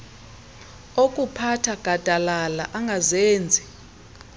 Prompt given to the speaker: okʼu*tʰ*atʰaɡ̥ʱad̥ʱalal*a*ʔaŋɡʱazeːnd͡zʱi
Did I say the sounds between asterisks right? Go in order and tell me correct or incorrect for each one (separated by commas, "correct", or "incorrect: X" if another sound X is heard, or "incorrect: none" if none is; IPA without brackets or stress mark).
incorrect: pʰ, correct